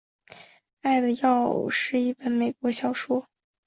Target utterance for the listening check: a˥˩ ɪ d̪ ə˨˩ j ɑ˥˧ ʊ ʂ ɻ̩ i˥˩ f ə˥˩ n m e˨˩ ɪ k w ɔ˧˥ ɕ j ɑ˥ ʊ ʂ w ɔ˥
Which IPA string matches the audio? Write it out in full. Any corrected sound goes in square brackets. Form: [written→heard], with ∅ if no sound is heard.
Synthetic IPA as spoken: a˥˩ ɪ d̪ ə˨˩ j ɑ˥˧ ʊ ʂ ɻ̩ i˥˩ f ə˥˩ n m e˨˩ ɪ k w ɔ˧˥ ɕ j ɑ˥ ʊ ʂ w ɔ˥